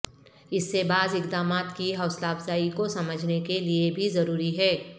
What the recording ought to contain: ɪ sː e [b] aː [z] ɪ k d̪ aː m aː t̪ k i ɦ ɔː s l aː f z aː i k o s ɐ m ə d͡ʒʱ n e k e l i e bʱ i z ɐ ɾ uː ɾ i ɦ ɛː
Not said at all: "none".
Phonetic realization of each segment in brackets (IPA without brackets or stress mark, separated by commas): b, z